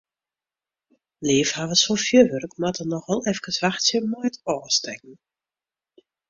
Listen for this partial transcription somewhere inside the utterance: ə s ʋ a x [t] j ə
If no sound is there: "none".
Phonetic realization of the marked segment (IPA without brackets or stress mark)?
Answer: s